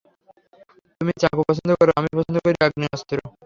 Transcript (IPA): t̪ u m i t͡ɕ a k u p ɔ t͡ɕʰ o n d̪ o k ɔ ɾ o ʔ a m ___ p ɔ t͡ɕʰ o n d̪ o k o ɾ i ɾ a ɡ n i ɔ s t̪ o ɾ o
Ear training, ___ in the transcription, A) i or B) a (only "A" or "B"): A